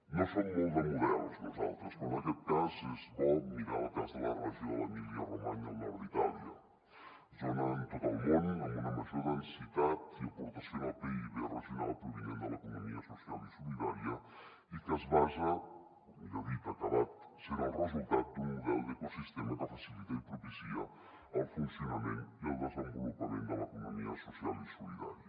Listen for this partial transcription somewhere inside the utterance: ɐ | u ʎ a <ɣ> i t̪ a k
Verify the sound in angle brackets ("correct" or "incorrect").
incorrect